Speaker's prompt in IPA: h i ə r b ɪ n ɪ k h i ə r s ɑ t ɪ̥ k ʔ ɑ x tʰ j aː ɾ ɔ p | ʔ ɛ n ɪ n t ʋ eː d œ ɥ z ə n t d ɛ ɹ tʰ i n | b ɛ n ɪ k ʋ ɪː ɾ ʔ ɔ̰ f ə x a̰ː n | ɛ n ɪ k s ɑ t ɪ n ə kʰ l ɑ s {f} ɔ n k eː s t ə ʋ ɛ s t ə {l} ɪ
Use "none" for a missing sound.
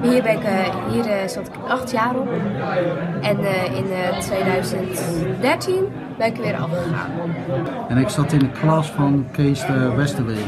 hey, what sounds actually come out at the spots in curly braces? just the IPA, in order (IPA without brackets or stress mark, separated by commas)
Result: f, l